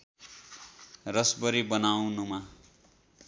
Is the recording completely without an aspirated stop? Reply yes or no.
yes